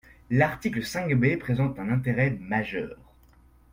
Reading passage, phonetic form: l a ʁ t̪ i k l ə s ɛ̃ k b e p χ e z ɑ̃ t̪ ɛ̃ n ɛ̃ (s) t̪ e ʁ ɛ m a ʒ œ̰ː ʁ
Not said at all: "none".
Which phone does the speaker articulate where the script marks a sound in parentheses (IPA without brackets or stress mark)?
none